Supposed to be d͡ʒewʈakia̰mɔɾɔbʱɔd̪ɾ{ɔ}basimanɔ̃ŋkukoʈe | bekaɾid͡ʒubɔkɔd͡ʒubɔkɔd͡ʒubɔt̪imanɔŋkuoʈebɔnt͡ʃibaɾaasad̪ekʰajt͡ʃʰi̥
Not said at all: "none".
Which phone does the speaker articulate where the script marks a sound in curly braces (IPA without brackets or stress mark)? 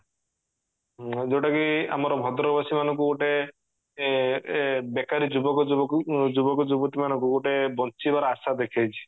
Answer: ɔ